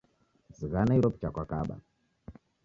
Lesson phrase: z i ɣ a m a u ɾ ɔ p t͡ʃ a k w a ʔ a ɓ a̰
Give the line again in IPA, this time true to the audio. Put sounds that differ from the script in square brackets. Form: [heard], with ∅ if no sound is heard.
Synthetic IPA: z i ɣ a [n] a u ɾ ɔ p t͡ʃ a k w a [k] a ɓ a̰